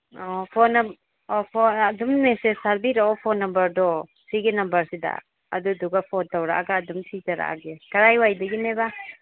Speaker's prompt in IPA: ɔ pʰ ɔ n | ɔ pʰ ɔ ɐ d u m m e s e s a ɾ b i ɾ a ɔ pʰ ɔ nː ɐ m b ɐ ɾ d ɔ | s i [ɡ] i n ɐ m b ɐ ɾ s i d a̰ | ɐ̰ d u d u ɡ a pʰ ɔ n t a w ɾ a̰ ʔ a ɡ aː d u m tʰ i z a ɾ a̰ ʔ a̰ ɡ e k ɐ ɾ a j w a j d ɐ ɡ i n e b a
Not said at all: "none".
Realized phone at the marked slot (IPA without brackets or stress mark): ɡ